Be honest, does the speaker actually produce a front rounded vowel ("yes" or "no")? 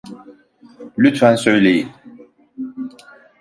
yes